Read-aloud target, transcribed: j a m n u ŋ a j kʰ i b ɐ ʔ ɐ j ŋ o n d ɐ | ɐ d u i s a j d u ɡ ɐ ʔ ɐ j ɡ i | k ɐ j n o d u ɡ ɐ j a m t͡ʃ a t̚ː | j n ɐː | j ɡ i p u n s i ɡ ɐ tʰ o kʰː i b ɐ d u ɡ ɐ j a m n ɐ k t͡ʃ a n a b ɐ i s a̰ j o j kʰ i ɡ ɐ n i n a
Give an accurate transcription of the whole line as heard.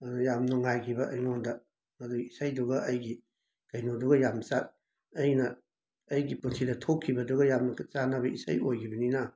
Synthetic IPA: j a m n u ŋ a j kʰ i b ɐ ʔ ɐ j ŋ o n d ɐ | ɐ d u i s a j d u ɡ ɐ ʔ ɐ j ɡ i | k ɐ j n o d u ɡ ɐ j a m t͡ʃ a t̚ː | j n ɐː | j ɡ i p u n s i d ɐ tʰ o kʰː i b ɐ d u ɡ ɐ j a m n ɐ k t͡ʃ a n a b ɐ i s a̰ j o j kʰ i b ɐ n i n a

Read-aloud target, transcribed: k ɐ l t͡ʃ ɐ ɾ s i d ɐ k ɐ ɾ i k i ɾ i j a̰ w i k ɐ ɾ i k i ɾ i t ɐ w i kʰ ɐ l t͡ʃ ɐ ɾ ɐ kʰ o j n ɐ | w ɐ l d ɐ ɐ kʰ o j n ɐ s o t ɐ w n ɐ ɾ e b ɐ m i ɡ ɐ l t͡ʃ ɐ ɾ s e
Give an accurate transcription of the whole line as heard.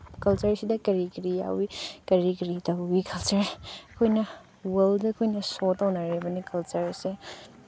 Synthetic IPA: k ɐ l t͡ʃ ɐ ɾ s i d ɐ k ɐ ɾ i k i ɾ i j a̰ w i k ɐ ɾ i k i ɾ i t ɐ w i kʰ ɐ l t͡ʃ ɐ ɾ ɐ kʰ o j n ɐ | w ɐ l d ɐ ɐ kʰ o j n ɐ s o t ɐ w n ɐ ɾ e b ɐ n i k ɐ l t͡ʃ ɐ ɾ s e

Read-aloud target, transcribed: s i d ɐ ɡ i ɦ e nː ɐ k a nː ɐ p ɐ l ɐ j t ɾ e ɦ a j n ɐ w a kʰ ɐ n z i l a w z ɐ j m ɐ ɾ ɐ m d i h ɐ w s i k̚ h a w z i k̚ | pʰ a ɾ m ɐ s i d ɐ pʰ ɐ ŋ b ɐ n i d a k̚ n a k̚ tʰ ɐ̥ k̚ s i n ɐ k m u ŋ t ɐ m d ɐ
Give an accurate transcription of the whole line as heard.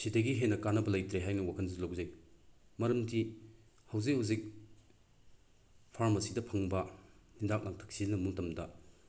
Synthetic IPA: s i d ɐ ɡ i ɦ e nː ɐ k a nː ɐ b ɐ l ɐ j t ɾ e ɦ a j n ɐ w a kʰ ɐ n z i l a w z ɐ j m ɐ ɾ ɐ m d i h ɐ w z i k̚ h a w z i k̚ | pʰ a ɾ m ɐ s i d ɐ pʰ ɐ ŋ b ɐ n i d a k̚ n a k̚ tʰ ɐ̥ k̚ s i n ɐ m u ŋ t ɐ m d ɐ

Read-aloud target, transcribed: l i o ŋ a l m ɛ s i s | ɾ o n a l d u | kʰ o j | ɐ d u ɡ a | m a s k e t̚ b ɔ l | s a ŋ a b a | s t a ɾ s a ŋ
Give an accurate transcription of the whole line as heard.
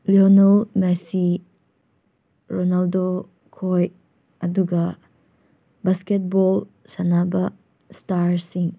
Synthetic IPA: l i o n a l m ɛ s i | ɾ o n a l d o | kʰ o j | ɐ d u ɡ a | b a s k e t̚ b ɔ l | s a n a b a | s t a ɾ s i ŋ

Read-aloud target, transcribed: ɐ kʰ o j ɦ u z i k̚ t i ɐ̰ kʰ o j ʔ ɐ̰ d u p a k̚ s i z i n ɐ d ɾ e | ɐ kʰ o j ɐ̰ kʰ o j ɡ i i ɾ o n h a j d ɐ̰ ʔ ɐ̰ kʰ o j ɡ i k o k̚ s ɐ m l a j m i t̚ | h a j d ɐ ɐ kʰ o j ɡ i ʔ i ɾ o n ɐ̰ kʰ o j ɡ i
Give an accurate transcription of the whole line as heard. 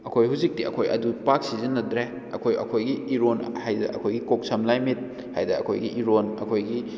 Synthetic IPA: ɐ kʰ o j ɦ u z i k̚ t i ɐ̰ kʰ o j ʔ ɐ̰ d u p a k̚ s i z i n ɐ d ɾ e | ɐ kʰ o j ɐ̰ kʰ o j ɡ i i ɾ o n h a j d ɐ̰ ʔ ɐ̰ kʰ o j ɡ i k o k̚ s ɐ m l a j m i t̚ | h a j d ɐ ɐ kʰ o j ɡ i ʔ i ɾ o n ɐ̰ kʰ o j ɡ i

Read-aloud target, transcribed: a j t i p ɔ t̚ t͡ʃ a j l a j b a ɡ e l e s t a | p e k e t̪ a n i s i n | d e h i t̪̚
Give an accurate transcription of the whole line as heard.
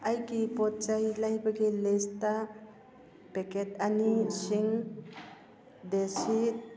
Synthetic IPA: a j k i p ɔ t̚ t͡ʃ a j l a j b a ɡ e l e s t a | p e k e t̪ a n i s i ŋ | d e s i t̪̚

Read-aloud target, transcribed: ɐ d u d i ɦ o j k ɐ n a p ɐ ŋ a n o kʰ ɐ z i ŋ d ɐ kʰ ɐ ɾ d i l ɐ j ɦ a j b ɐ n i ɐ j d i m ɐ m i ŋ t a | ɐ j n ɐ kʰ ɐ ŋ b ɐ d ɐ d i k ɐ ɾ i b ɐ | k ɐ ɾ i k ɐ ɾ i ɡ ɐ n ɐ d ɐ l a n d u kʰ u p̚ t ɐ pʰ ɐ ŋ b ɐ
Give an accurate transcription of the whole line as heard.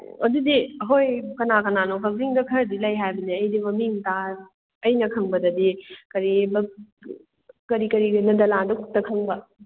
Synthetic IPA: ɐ d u d i ɦ o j k ɐ n a k ɐ n a n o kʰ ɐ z i ŋ d ɐ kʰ ɐ ɾ d i l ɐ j ɦ a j b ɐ n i ɐ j d i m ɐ m i ŋ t a | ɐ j n ɐ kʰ ɐ ŋ b ɐ d ɐ d i k ɐ ɾ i b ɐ | k ɐ ɾ i k ɐ ɾ i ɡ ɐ n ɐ d ɐ l a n d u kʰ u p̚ t ɐ kʰ ɐ ŋ b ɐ

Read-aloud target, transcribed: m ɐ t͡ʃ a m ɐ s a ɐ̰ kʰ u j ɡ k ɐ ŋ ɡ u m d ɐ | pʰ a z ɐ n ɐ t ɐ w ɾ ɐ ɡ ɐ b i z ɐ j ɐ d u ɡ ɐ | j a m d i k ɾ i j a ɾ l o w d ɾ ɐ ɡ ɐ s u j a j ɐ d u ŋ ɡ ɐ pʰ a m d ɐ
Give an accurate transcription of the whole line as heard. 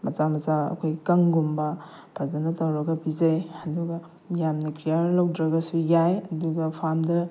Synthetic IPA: m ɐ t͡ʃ a m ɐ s a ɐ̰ kʰ o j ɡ k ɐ ŋ ɡ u m b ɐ | pʰ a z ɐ n ɐ t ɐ w ɾ ɐ ɡ ɐ b i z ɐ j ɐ d u ɡ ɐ | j a m n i k ɾ i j a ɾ l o w d ɾ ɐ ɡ ɐ s u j a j ɐ d u ɡ ɐ pʰ a m d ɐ

